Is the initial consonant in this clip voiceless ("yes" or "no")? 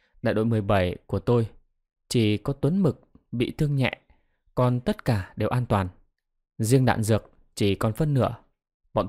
no